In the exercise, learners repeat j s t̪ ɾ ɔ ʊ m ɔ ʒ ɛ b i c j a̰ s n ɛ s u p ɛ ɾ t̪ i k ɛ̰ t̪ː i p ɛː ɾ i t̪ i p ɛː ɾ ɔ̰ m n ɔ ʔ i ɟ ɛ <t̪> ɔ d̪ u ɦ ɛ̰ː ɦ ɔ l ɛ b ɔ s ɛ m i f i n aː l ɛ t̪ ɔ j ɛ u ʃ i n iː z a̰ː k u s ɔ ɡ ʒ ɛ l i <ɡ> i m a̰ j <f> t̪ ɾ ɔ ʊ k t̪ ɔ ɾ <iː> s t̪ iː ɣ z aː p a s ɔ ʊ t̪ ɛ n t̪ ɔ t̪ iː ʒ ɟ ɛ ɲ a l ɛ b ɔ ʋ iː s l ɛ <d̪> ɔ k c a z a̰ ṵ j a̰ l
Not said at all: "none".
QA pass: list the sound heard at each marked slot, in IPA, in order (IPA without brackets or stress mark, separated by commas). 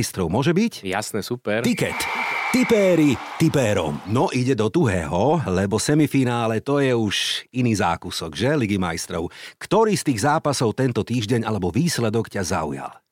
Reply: d̪, ɡ, s, iː, d̪